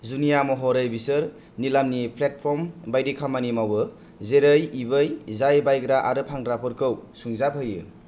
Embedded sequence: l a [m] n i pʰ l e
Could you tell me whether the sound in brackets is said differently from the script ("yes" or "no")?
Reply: no